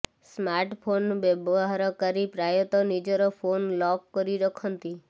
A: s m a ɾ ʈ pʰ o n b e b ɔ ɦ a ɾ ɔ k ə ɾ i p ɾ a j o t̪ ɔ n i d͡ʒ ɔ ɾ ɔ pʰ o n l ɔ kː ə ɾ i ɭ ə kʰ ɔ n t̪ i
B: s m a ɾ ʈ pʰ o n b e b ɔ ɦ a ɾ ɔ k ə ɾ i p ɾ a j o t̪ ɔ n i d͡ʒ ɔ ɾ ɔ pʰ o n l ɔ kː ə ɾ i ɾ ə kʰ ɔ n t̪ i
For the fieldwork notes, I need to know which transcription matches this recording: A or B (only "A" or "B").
B